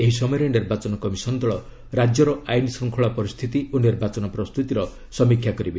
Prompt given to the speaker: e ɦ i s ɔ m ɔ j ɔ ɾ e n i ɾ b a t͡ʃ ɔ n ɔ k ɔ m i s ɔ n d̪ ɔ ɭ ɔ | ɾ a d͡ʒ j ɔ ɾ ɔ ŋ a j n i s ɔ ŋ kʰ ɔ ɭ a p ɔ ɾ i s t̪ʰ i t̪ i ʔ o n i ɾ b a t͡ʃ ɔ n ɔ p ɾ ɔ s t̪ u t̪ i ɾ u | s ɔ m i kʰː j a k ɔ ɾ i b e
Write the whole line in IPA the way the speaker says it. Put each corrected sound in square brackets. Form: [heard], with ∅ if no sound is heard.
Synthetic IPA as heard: e ɦ i s ɔ m ɔ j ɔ ɾ e n i ɾ b a t͡ʃ ɔ n ɔ k ɔ m i s ɔ n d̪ ɔ ɭ ɔ | ɾ a d͡ʒ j ɔ ɾ ɔ [∅] a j n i s ɔ ŋ kʰ ɔ ɭ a p ɔ ɾ i s t̪ʰ i t̪ i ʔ o n i ɾ b a t͡ʃ ɔ n ɔ p ɾ ɔ s t̪ u t̪ i ɾ [ɔ] | s ɔ m i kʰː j a k ɔ ɾ i b e

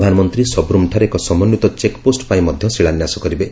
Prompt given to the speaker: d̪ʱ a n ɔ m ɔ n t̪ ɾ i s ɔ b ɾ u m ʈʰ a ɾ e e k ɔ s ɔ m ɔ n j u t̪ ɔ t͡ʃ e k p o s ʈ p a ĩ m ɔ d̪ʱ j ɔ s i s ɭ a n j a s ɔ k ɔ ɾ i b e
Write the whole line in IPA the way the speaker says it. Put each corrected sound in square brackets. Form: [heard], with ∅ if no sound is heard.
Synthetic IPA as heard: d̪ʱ a n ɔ m ɔ n t̪ ɾ i s ɔ b ɾ u m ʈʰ a ɾ e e k ɔ s ɔ m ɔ n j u t̪ ɔ t͡ʃ e k p o s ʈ p a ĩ m ɔ d̪ʱ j ɔ s i [∅] ɭ a n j a s ɔ k ɔ ɾ i b e

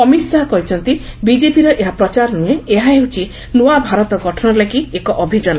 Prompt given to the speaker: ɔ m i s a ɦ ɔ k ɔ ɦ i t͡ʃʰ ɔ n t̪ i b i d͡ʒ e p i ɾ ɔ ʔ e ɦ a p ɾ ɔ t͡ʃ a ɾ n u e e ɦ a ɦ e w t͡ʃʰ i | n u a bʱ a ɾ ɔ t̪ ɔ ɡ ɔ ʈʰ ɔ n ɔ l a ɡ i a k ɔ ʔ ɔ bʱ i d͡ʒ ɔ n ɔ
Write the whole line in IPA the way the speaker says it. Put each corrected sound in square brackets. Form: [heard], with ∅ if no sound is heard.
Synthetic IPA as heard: ɔ m i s a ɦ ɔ k ɔ ɦ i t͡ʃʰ ɔ n t̪ i b i d͡ʒ e p i ɾ ɔ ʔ e ɦ a p ɾ ɔ t͡ʃ a ɾ n u e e ɦ a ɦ e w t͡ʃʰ i | n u a bʱ a ɾ ɔ t̪ ɔ ɡ ɔ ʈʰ ɔ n ɔ l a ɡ i [e] k ɔ ʔ ɔ bʱ i d͡ʒ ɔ n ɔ

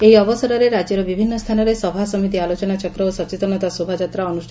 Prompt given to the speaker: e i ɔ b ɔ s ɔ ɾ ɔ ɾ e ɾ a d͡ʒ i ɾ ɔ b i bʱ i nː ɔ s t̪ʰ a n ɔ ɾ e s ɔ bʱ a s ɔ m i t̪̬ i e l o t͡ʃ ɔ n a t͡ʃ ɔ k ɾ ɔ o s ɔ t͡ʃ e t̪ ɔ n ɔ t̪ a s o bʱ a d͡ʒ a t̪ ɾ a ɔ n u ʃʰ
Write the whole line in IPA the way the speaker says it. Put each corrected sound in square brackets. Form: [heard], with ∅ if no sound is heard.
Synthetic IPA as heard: e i ɔ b ɔ s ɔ ɾ ɔ ɾ e ɾ a d͡ʒ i ɾ ɔ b i bʱ i nː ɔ s t̪ʰ a n ɔ ɾ e s ɔ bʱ a s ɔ m i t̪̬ i [a] l o t͡ʃ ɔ n a t͡ʃ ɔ k ɾ ɔ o s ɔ t͡ʃ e t̪ ɔ n ɔ t̪ a s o bʱ a d͡ʒ a t̪ ɾ a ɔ n u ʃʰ

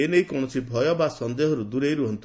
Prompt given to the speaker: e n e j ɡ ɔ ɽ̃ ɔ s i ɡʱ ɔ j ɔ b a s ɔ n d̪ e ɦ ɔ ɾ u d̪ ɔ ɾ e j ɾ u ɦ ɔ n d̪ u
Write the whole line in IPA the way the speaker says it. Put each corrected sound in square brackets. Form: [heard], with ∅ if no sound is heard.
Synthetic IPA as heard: e n e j [k] ɔ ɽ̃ ɔ s i [bʱ] ɔ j ɔ b a s ɔ n d̪ e ɦ ɔ ɾ u d̪ [u] ɾ e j ɾ u ɦ ɔ n [t̪] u

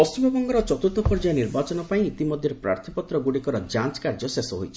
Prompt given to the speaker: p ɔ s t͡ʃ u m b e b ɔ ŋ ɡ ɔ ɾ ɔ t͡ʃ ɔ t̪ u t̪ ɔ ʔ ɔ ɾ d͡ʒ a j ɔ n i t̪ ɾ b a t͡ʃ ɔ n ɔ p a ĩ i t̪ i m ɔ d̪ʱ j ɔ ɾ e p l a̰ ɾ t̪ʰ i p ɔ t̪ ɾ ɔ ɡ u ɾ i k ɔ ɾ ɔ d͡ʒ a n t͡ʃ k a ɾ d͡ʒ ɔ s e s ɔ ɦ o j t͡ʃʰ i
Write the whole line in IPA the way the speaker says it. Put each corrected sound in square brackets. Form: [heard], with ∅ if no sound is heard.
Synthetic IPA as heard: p ɔ s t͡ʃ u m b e b ɔ ŋ ɡ ɔ ɾ ɔ t͡ʃ ɔ t̪ u t̪ ɔ [p] ɔ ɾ d͡ʒ a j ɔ n i [∅] ɾ b a t͡ʃ ɔ n ɔ p a ĩ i t̪ i m ɔ d̪ʱ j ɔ ɾ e p [ɾ] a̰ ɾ t̪ʰ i p ɔ t̪ ɾ ɔ ɡ u [ɽ] i k ɔ ɾ ɔ d͡ʒ a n t͡ʃ k a ɾ d͡ʒ ɔ s e s ɔ ɦ o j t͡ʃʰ i

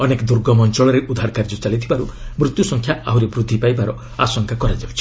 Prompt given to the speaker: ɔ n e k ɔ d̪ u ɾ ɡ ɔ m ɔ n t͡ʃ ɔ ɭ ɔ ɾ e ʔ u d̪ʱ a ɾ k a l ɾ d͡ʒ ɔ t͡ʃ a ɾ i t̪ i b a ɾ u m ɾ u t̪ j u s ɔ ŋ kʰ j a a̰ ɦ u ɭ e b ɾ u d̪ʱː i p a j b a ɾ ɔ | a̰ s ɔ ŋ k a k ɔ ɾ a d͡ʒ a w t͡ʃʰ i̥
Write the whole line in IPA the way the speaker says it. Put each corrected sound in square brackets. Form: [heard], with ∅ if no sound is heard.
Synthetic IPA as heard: ɔ n e k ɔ d̪ u ɾ ɡ ɔ m ɔ n t͡ʃ ɔ ɭ ɔ ɾ e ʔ u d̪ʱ a ɾ k a [∅] ɾ d͡ʒ ɔ t͡ʃ a [l] i [t̪ʰ] i b a ɾ u m ɾ u t̪ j u s ɔ ŋ kʰ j a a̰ ɦ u [ɾ] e b ɾ u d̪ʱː i p a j b a ɾ ɔ | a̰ s ɔ ŋ k a k ɔ ɾ a d͡ʒ a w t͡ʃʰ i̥

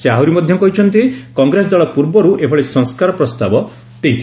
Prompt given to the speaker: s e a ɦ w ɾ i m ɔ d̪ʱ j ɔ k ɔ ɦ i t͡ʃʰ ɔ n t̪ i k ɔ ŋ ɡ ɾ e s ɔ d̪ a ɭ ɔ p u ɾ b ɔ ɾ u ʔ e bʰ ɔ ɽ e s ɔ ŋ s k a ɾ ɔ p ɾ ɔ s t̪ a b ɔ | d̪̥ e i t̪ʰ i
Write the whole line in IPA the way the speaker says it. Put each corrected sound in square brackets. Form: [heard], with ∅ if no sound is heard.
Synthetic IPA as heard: s e a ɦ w ɾ i m ɔ d̪ʱ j ɔ k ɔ ɦ i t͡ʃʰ ɔ n t̪ i k ɔ ŋ ɡ ɾ e s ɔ d̪ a ɭ ɔ p u ɾ b ɔ ɾ u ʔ e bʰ ɔ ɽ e s ɔ ŋ s k a ɾ ɔ p ɾ ɔ s t̪ a b ɔ | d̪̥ e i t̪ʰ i

